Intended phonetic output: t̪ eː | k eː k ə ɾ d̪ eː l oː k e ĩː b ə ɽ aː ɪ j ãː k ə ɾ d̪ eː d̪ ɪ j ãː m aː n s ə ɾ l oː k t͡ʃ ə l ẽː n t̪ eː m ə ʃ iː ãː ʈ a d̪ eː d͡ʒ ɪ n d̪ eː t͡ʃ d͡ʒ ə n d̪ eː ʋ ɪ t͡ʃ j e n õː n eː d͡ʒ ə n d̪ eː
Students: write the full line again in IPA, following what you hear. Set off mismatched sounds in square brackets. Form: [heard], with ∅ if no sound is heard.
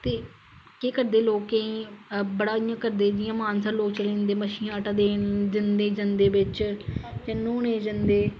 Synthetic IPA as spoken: t̪ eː | k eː k ə ɾ d̪ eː l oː k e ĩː b ə ɽ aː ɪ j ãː k ə ɾ d̪ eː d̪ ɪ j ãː m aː n s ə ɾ l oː k t͡ʃ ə l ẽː n [d̪] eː m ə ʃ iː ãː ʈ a d̪ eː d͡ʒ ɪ n d̪ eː [∅] d͡ʒ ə n d̪ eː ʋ ɪ t͡ʃ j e n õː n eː d͡ʒ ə n d̪ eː